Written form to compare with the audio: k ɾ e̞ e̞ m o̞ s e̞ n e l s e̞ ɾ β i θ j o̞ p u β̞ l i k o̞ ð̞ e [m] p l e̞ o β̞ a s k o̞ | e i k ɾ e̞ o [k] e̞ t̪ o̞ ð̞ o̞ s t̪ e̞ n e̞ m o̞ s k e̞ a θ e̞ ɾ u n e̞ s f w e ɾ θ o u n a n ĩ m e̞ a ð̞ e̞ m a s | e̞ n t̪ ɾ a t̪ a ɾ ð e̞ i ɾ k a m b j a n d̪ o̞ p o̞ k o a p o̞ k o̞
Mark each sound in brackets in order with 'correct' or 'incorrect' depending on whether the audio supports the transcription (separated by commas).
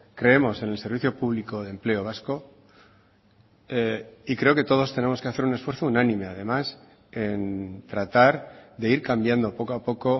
correct, correct